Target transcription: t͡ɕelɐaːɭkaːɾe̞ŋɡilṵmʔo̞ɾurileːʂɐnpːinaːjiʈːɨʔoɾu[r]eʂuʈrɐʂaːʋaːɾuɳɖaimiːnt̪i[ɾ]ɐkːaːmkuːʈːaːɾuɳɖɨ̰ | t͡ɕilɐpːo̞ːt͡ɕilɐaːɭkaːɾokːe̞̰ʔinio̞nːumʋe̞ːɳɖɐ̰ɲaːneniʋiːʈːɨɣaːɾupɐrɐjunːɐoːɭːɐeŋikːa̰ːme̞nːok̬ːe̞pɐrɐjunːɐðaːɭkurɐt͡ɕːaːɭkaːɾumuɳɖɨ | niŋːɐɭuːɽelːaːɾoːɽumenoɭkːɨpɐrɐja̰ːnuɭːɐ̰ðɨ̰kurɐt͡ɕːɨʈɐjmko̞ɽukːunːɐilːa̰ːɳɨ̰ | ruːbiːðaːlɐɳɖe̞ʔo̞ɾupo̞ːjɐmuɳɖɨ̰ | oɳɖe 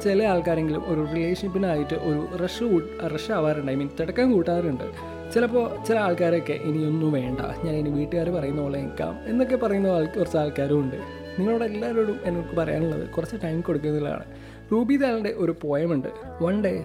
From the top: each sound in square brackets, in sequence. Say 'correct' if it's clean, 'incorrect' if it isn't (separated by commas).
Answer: correct, incorrect